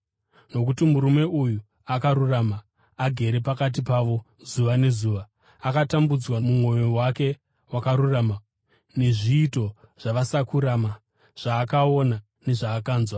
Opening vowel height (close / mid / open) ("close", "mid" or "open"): mid